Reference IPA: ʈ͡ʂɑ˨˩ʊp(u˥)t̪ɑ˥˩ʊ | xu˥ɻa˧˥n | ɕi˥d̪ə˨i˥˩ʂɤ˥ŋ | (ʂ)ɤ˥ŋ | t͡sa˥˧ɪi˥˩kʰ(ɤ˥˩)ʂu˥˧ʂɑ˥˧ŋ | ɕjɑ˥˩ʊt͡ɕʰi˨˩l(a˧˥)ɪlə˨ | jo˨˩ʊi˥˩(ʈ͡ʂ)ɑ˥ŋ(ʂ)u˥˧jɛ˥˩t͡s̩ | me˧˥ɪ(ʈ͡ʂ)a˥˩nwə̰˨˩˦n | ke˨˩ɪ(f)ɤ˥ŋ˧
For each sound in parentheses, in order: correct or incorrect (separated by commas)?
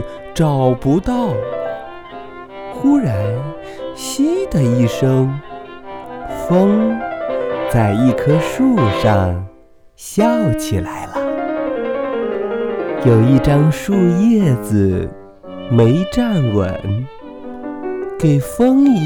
incorrect, incorrect, incorrect, correct, correct, correct, correct, correct